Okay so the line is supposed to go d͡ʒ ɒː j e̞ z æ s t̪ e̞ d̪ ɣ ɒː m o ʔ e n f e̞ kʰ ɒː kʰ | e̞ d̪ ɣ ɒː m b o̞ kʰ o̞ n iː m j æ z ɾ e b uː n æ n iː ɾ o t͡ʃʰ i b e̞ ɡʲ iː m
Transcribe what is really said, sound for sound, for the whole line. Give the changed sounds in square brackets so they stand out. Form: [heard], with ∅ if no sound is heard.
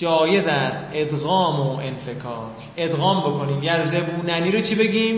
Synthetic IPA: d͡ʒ ɒː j e̞ z æ s t̪ e̞ d̪ ɣ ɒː m o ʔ e n f e̞ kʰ ɒː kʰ | e̞ d̪ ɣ ɒː m b o̞ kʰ o̞ n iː m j æ z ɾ e b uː n æ n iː ɾ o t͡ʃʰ i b e̞ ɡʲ iː m